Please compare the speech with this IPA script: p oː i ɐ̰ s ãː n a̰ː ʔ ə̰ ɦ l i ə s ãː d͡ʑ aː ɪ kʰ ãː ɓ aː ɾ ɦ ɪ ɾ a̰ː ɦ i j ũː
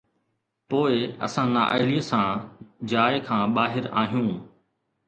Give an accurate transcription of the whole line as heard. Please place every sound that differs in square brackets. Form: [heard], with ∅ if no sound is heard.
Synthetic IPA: p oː [ɪ] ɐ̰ s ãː n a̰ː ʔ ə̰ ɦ l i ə s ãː d͡ʑ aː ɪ kʰ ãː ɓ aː [∅] ɦ ɪ ɾ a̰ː ɦ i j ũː